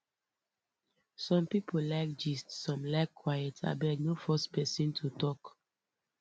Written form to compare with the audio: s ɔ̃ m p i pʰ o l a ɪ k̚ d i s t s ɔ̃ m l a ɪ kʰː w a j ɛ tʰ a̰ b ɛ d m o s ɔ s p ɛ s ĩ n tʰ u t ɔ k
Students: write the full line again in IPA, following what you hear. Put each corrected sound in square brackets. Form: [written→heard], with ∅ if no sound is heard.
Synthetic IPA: s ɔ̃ m p i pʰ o l a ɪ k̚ [d→d͡ʒ] i s t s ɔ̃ m l a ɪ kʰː w a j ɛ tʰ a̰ b ɛ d [m→n] o [s→f] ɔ s p ɛ s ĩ n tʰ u t ɔ k